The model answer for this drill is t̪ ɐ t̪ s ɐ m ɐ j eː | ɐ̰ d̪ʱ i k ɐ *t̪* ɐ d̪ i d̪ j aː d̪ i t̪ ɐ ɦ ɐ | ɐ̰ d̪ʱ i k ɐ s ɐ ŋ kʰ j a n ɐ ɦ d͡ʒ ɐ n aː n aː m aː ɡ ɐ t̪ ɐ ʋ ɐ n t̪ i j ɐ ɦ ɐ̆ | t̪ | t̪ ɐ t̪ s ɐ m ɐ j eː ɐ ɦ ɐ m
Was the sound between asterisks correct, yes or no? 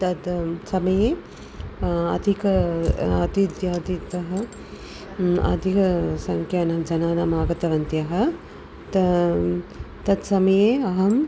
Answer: no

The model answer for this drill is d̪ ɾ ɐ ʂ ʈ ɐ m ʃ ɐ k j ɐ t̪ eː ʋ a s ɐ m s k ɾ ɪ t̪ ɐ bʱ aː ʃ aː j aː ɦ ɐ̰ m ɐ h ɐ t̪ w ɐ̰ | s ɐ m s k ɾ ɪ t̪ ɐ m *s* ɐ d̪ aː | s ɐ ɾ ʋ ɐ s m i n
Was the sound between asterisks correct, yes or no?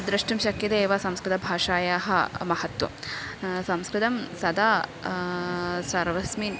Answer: yes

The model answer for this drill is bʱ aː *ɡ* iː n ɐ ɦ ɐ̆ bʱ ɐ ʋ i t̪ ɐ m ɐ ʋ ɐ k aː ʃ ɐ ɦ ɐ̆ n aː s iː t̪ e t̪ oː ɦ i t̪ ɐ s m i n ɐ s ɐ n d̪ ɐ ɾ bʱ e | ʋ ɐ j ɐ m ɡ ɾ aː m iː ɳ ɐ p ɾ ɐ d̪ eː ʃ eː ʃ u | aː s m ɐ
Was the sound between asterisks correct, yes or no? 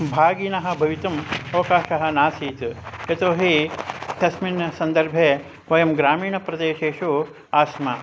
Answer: yes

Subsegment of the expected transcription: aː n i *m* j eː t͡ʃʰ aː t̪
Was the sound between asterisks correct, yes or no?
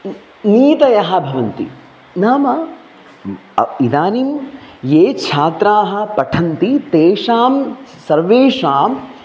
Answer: yes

